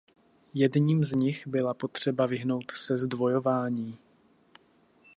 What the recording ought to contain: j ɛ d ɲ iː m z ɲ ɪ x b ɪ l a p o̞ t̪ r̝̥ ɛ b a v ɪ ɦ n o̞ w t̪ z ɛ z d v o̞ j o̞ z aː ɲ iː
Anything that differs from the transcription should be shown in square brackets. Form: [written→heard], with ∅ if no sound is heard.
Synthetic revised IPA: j ɛ d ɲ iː m z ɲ ɪ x b ɪ l a p o̞ t̪ r̝̥ ɛ b a v ɪ ɦ n o̞ w t̪ [z→s] ɛ z d v o̞ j o̞ [z→v] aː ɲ iː